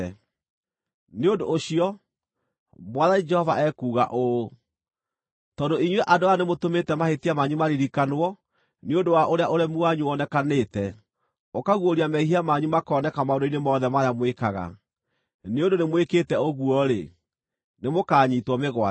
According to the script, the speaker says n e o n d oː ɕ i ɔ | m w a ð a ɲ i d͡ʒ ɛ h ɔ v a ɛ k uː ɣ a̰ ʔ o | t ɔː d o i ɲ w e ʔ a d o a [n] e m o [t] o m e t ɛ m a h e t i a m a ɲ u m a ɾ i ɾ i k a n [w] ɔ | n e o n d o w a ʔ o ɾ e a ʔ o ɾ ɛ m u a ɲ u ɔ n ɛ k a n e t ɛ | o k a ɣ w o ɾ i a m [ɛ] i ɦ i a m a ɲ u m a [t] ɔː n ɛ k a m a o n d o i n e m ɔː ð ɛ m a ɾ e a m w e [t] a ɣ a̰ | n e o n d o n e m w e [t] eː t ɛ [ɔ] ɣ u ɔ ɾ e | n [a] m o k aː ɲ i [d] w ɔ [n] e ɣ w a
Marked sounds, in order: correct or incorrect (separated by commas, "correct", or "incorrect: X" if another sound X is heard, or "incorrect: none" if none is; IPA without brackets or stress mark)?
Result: correct, correct, correct, correct, incorrect: k, incorrect: k, incorrect: k, incorrect: o, incorrect: e, incorrect: t, incorrect: m